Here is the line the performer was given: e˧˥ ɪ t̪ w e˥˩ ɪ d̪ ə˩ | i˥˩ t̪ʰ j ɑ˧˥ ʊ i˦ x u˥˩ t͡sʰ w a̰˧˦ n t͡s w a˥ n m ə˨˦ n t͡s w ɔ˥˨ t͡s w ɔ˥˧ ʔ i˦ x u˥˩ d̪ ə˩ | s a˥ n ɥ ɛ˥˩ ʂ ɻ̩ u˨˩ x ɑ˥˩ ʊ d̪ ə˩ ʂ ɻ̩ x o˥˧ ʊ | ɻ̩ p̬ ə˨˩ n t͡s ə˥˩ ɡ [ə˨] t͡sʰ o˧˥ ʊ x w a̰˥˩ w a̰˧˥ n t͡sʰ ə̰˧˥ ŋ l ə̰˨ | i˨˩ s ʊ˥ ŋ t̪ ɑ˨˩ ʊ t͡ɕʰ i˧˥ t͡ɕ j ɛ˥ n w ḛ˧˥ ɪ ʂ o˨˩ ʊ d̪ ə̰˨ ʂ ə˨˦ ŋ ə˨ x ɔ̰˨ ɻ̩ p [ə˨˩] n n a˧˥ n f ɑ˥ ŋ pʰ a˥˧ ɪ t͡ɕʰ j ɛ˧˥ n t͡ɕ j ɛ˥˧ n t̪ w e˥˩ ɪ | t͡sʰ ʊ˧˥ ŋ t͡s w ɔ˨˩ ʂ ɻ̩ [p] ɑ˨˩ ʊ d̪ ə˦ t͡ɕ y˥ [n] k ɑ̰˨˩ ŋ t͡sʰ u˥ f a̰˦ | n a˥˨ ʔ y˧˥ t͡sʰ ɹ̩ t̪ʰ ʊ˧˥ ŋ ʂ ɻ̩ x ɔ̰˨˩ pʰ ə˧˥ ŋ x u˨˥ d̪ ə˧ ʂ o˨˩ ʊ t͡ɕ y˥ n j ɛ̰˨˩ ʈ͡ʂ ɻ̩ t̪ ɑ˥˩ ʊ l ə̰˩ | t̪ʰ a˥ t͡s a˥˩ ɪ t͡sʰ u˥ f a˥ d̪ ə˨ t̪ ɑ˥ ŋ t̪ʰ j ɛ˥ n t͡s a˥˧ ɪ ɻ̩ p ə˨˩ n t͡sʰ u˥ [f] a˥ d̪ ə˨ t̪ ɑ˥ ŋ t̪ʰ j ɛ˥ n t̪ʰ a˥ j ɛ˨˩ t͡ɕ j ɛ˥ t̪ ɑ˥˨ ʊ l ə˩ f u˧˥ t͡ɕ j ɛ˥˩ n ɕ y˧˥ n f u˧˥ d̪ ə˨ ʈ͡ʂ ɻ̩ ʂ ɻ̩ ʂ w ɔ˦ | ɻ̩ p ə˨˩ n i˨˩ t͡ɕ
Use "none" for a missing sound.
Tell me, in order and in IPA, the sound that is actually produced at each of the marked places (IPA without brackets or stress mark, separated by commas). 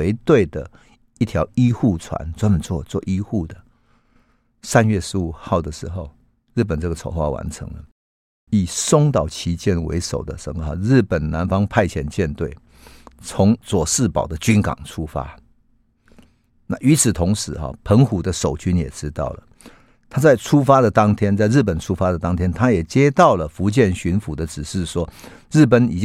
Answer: ə˨, ə˨˩, p, n, f